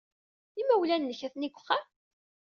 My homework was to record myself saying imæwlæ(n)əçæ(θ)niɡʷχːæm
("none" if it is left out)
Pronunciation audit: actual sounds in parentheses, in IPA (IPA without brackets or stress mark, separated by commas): nː, θ